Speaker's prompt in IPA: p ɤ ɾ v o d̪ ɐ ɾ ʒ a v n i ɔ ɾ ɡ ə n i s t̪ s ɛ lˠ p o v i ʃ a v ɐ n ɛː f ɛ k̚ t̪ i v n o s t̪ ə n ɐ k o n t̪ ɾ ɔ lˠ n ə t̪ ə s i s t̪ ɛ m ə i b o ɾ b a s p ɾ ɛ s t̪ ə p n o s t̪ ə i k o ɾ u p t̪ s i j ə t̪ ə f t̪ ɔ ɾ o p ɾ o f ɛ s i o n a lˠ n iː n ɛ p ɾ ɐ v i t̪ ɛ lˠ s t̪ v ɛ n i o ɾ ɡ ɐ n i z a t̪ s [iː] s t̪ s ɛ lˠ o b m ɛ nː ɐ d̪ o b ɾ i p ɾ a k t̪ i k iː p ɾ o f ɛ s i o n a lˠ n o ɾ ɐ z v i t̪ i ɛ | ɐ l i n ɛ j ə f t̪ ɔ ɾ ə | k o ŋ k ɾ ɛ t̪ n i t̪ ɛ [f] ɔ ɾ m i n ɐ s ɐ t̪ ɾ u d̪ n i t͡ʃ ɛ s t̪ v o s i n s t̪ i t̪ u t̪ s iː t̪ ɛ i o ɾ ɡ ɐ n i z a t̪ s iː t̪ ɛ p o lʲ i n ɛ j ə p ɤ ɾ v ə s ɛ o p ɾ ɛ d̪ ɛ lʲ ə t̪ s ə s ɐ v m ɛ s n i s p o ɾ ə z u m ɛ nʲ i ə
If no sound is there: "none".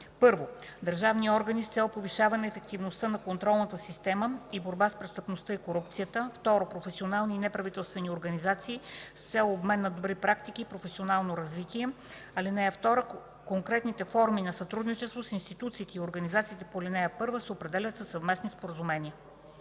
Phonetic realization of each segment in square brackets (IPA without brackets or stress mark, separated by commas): iː, f